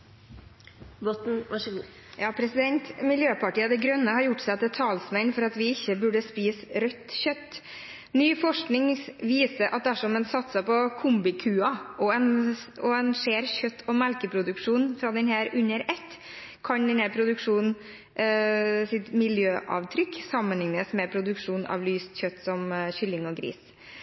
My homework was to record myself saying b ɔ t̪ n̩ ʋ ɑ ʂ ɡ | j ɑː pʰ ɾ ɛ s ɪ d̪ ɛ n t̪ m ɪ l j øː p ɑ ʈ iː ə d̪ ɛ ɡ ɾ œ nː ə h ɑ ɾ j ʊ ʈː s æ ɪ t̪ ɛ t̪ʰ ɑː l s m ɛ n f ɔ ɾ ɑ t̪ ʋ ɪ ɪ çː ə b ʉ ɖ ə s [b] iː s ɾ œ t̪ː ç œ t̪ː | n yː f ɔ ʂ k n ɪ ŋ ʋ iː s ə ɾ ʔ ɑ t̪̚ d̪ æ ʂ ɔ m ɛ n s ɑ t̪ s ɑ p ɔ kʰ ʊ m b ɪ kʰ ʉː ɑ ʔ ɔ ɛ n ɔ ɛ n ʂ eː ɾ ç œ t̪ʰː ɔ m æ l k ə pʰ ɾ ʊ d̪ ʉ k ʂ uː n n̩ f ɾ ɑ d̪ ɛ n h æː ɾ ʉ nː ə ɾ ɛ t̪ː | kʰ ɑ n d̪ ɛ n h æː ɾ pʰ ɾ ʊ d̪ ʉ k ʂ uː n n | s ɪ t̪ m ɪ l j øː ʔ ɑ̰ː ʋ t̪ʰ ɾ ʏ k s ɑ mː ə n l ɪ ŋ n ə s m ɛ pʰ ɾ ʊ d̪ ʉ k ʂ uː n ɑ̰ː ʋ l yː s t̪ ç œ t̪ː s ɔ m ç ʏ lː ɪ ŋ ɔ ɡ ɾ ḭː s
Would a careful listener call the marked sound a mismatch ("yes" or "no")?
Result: yes